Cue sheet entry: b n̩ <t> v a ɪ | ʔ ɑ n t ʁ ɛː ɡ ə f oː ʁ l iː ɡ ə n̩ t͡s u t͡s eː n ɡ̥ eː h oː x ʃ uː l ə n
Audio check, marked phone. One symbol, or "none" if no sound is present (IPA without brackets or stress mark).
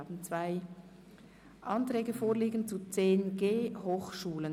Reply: t͡s